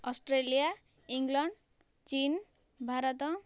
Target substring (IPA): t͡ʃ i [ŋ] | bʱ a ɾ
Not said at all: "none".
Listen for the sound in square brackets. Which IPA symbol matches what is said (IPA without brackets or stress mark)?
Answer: n